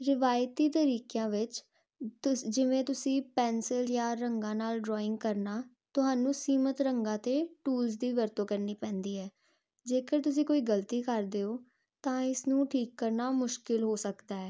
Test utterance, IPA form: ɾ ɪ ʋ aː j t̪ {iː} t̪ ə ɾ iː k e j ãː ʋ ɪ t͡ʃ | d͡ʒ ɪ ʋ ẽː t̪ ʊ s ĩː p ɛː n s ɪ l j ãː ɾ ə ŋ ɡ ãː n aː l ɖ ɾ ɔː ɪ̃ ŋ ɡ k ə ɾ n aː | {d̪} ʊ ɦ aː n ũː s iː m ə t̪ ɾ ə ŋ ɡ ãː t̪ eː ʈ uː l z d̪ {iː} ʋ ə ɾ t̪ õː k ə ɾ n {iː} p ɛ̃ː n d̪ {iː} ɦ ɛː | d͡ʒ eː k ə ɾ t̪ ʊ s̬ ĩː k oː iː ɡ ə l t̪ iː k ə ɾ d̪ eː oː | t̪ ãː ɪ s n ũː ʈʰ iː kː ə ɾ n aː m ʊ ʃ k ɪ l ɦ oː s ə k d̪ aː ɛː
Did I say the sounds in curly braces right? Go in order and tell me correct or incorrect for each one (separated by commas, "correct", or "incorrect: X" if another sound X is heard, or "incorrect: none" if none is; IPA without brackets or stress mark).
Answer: correct, incorrect: t̪, correct, correct, correct